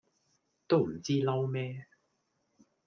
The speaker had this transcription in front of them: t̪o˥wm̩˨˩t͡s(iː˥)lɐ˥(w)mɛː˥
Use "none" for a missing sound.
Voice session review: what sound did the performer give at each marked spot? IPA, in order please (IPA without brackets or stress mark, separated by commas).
iː˥, w